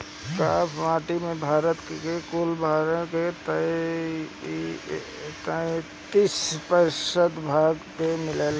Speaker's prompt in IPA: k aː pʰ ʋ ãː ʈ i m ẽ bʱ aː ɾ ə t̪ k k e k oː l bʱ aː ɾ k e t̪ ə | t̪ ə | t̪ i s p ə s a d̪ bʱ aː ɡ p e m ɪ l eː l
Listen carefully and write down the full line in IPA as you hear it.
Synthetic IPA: k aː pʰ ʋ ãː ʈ i m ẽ bʱ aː ɾ ə t̪ k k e k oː l bʱ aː ɾ k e t̪ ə | t̪ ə | t̪ i s p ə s ə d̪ bʱ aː ɡ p e m ɪ l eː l